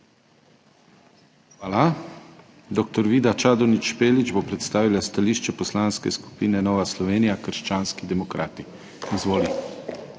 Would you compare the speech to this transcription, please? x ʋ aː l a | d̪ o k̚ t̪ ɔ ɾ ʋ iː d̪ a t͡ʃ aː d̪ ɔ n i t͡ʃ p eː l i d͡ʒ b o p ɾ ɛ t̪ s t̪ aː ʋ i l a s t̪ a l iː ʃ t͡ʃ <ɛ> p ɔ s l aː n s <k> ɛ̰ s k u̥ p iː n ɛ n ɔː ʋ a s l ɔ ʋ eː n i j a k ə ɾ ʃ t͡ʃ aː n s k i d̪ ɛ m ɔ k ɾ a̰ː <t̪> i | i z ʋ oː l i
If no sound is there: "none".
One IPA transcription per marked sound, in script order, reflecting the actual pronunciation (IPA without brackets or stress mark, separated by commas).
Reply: ɛ, k, t̪